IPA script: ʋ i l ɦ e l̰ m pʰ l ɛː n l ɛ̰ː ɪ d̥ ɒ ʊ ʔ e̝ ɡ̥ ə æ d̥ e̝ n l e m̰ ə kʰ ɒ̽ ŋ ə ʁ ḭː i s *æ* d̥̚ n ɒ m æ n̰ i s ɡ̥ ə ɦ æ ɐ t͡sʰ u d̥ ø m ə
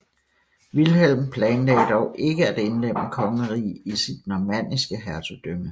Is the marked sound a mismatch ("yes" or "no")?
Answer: yes